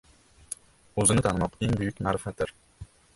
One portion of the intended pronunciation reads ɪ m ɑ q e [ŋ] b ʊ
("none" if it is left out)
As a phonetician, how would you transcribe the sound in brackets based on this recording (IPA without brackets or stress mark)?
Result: ŋ